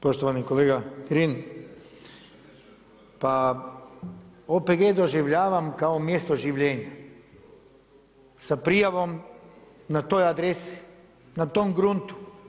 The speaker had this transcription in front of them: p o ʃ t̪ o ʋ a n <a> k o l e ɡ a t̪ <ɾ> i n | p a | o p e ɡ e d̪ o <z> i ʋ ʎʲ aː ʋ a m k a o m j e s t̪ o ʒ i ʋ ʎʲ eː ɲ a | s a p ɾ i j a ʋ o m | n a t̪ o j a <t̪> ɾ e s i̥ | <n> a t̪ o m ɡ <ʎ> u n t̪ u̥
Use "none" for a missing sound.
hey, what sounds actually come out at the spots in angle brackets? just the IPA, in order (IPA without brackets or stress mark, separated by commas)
i, ɾ, ʒ, d̪, n, ɾ